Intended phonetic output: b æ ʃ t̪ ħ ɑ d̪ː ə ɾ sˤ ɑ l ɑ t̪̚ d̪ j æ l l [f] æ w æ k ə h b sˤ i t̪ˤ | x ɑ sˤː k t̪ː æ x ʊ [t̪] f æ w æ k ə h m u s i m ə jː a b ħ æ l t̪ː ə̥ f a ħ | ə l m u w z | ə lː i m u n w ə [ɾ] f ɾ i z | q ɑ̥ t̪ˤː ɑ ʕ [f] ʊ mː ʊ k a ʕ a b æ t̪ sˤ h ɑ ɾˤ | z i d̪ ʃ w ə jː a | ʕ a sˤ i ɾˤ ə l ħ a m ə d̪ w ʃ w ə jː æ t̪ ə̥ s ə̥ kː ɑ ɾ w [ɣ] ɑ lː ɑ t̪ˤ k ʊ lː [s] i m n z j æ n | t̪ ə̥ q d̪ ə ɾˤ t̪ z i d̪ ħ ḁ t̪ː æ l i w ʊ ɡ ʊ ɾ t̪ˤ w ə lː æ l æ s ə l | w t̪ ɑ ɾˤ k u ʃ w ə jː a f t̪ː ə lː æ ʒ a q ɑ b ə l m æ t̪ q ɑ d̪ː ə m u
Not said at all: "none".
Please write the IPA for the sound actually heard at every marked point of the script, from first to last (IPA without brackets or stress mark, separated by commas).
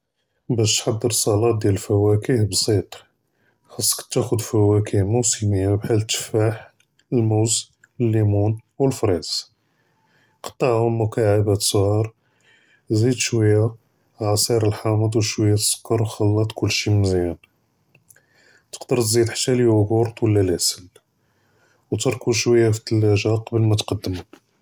f, d̪, l, h, x, ʃ